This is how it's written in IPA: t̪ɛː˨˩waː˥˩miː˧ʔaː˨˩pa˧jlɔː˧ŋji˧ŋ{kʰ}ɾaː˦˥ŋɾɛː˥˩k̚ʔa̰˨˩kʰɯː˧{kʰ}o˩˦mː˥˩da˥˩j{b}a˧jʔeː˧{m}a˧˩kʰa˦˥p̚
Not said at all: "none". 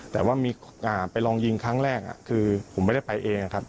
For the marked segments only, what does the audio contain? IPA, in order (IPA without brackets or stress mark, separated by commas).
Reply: kʰ, pʰ, p, ŋ